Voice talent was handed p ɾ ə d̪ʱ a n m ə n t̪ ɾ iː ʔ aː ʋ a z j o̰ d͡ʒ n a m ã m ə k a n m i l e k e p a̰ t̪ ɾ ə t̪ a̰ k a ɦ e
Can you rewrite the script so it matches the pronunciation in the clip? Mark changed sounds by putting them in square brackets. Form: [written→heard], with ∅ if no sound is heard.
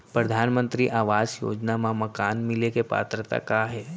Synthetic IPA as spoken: p ɾ ə d̪ʱ a n m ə n t̪ ɾ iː ʔ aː ʋ a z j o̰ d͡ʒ n a m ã m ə k a n m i l e k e p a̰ t̪ ɾ ə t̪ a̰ k a ɦ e